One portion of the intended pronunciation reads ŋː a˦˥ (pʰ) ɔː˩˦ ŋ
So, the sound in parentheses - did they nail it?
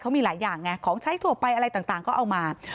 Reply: no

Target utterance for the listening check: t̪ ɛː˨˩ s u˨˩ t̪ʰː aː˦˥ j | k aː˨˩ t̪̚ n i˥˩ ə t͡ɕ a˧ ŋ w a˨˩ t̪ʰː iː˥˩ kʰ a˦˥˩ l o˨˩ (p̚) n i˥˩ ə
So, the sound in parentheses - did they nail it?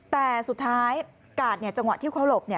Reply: yes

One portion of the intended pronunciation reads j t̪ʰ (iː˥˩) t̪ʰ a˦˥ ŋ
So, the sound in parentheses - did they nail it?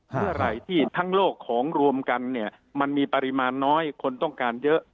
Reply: yes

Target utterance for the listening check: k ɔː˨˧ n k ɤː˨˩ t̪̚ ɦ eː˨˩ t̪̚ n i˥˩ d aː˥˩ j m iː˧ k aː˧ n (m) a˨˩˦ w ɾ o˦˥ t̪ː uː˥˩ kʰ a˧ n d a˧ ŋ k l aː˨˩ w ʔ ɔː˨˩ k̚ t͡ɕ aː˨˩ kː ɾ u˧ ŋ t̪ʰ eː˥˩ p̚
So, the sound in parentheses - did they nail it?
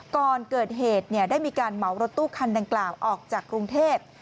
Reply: yes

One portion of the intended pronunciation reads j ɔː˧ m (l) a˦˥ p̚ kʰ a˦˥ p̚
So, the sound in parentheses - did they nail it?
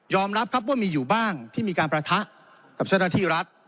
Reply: no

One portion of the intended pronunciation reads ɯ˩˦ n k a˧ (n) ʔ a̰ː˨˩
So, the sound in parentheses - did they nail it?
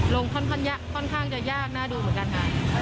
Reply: yes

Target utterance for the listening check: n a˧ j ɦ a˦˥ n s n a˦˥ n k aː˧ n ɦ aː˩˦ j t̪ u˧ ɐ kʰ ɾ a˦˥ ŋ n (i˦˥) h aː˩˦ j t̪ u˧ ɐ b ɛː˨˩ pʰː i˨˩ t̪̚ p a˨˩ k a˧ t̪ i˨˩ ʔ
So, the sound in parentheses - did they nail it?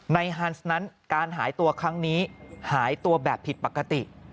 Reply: no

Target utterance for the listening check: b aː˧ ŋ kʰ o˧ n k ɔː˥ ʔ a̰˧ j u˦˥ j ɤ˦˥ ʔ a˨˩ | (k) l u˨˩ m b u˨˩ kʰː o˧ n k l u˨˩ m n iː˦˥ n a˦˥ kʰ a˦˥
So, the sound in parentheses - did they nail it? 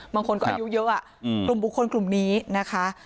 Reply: yes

